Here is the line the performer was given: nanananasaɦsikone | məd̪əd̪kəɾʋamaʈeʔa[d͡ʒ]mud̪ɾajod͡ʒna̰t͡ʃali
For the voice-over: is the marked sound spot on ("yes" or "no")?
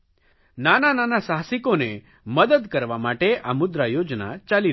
no